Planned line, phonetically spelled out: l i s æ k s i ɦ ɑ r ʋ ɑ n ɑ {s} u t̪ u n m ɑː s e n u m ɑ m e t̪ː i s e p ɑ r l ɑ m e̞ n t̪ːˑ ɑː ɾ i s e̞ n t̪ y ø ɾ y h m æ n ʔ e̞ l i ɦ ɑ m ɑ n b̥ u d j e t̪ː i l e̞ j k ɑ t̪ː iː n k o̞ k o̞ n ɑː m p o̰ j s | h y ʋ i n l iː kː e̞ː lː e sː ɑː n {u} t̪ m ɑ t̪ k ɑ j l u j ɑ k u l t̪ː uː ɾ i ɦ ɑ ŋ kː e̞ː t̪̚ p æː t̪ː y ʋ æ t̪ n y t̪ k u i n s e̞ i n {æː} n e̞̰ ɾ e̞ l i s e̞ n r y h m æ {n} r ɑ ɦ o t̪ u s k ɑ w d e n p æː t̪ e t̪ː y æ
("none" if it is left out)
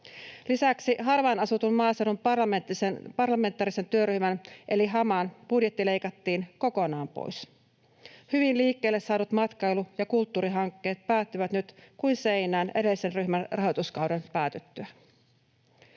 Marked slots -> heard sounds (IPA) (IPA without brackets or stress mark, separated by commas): s, u, æː, n